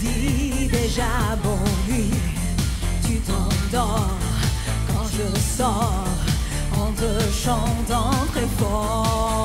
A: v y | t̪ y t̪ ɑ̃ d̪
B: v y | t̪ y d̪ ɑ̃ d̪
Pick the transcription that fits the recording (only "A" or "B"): A